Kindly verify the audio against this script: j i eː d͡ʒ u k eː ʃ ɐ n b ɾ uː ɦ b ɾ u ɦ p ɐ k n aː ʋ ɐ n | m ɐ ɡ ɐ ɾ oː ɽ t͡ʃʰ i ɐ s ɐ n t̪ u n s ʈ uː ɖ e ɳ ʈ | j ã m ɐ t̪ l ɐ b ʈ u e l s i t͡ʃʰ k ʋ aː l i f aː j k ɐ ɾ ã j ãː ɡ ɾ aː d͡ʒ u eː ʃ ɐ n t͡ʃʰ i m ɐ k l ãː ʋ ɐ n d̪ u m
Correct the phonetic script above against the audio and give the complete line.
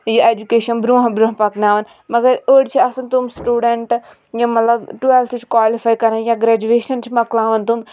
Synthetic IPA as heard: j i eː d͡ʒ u k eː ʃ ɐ n b ɾ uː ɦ b ɾ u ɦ p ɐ k n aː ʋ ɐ n | m ɐ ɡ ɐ ɾ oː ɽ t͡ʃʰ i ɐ s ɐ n t̪ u m s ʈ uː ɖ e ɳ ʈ | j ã m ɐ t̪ l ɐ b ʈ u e l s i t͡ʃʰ k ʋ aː l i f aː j k ɐ ɾ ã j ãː ɡ ɾ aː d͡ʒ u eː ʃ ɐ n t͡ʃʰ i m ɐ k l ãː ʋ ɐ n t̪ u m